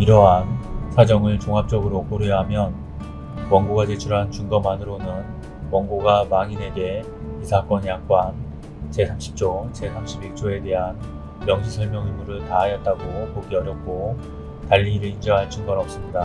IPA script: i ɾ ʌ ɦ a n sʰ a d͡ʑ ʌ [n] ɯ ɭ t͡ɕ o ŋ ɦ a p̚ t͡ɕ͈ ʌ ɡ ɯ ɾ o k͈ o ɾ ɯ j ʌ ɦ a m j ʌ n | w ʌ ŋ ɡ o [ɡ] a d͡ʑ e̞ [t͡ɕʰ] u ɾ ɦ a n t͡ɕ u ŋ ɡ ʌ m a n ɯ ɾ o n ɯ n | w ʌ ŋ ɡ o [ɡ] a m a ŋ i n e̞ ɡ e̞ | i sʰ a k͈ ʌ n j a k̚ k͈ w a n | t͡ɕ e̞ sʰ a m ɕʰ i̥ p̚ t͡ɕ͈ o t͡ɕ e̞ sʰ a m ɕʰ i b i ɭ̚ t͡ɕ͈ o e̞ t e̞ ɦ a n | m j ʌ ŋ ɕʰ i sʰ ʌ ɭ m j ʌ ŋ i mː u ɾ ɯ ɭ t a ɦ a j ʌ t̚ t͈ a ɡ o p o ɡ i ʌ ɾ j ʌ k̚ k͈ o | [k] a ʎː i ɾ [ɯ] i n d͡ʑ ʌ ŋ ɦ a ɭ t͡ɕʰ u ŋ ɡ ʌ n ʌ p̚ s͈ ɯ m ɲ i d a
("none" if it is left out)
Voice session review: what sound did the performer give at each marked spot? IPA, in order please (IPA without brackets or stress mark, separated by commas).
ŋ, ɡ, t͡ɕʰ, ɡ, t, ɯ